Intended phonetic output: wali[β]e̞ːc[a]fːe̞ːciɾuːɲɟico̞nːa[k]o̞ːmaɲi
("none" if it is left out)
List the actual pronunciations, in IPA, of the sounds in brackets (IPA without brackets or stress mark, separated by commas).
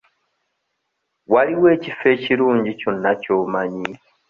w, i, c